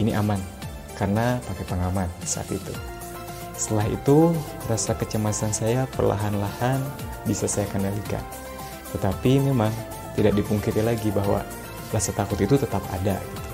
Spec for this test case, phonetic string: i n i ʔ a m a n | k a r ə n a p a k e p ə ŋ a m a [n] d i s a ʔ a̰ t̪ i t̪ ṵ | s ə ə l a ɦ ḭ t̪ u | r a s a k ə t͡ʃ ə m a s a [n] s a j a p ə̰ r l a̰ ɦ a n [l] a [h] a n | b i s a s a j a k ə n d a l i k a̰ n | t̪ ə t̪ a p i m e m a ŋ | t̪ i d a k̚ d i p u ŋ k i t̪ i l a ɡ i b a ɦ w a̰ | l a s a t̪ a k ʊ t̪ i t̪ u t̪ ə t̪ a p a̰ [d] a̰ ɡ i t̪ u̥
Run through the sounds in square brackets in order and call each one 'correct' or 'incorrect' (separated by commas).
correct, correct, correct, correct, correct